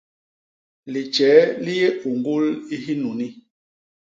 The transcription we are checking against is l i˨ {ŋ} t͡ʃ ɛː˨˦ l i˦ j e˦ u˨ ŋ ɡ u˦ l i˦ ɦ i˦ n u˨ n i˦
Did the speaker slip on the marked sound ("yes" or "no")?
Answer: yes